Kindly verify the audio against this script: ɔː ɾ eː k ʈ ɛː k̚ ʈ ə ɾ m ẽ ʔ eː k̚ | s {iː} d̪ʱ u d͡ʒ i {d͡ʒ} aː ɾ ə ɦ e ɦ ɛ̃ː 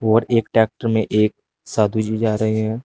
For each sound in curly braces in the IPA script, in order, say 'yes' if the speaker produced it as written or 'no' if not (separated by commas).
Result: no, yes